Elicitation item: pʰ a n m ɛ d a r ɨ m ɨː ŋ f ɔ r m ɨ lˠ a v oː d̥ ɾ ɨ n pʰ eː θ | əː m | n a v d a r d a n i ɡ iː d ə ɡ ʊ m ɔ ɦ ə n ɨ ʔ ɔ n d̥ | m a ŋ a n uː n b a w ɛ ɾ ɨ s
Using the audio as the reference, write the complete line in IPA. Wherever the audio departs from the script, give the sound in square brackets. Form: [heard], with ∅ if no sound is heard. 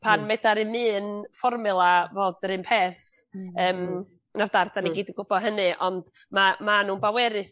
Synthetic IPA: pʰ a n m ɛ d a [ɾ] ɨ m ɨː [n] f ɔ r m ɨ lˠ a v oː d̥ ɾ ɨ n pʰ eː θ | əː m | n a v d a r d a n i ɡ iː d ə ɡ ʊ [b] ɔ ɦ ə n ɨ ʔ ɔ n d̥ | m a [m] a n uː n b a w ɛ ɾ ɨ s